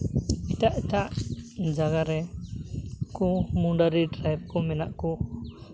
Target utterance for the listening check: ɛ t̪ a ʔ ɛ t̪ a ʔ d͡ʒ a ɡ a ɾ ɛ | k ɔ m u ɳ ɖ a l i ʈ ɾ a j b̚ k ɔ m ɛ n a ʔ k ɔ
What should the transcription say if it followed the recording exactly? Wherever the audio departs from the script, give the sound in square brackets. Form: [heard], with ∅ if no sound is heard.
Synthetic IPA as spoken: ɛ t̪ a ʔ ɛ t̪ a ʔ d͡ʒ a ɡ a ɾ ɛ | k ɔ m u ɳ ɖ a [ɾ] i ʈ ɾ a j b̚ k ɔ m ɛ n a ʔ k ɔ